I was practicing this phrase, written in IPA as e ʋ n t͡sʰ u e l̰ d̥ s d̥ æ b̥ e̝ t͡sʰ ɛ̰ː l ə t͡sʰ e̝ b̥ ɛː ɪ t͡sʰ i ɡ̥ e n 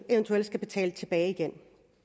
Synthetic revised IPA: e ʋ n t͡sʰ u e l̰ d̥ s ɡ̥ æ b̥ e̝ t͡sʰ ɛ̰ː l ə t͡sʰ e̝ b̥ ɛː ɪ i ɡ̥ e n